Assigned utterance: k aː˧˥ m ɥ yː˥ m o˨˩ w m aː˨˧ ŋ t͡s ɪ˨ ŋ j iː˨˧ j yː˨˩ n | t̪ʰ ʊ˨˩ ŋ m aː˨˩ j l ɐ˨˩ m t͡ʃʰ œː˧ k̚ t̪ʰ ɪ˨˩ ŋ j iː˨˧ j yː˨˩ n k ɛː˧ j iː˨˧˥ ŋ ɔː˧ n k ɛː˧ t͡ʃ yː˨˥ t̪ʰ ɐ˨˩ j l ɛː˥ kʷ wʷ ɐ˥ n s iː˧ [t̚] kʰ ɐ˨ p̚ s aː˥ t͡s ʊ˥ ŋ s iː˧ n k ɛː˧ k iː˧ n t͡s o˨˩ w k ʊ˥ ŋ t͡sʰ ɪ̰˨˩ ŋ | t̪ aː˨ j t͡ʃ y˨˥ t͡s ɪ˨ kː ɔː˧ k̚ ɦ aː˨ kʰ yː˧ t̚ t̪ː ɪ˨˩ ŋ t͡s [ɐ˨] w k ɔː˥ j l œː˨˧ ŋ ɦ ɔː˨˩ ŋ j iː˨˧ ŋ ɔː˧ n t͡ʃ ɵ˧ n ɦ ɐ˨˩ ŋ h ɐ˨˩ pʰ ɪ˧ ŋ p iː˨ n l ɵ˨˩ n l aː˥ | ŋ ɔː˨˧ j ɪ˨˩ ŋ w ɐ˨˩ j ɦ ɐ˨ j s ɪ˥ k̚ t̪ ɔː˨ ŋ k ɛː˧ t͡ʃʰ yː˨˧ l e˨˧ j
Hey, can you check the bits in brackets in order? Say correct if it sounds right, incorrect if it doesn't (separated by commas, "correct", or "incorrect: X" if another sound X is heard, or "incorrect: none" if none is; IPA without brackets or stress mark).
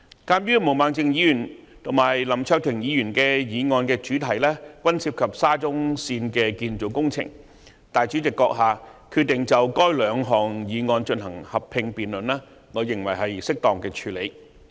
incorrect: p̚, correct